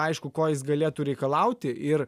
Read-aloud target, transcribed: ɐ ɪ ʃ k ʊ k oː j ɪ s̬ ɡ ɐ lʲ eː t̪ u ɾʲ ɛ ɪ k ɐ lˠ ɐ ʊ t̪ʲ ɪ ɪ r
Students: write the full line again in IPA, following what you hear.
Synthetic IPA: ɐ ɪ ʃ k ʊ k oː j ɪ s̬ ɡ ɐ lʲ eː t̪ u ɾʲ ɛ ɪ k ɐ lˠ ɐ ʊ t̪ʲ ɪ ɪ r